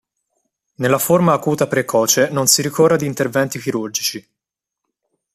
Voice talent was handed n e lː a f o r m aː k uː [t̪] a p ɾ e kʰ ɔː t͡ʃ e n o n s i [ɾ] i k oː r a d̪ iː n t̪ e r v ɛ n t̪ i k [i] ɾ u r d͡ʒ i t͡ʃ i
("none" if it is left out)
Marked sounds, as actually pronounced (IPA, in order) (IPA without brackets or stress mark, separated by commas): t̪, ɾ, i